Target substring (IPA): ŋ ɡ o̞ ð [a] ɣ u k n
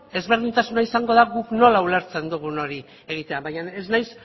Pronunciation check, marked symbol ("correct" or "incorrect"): correct